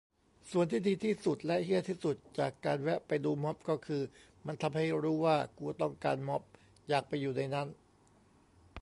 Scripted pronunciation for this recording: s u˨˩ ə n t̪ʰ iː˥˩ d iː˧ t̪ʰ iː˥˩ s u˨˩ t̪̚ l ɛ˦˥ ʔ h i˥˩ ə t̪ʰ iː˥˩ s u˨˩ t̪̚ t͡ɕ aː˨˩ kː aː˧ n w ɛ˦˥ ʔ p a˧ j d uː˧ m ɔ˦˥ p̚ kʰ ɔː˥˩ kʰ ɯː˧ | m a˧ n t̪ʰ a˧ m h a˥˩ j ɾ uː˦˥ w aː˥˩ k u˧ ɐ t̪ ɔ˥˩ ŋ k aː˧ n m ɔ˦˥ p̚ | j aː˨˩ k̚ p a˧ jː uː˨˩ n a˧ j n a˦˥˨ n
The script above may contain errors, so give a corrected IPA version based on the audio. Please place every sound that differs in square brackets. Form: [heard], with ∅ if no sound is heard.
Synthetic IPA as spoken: s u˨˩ ə n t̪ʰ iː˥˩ d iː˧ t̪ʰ iː˥˩ s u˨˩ t̪̚ l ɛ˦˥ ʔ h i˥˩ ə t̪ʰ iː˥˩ s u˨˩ t̪̚ t͡ɕ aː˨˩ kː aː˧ n w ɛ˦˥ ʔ p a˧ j d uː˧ m ɔ˦˥ p̚ [k] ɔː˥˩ kʰ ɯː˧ | m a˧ n t̪ʰ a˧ m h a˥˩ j ɾ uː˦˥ w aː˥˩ k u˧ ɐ t̪ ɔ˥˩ ŋ k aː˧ n m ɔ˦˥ p̚ | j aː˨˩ k̚ p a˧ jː uː˨˩ n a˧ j n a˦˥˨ n